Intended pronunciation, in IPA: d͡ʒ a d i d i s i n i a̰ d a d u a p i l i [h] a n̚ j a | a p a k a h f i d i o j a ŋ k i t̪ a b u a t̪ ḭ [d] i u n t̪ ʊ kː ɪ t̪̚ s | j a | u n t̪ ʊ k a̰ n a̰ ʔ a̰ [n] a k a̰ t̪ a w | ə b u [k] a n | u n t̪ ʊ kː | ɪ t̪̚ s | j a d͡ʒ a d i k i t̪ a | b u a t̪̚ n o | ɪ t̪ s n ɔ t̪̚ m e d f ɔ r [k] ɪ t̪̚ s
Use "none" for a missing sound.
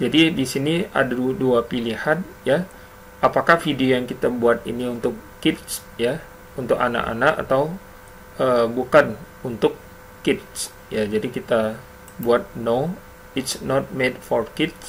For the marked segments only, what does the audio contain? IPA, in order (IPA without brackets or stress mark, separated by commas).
h, n, n, k, k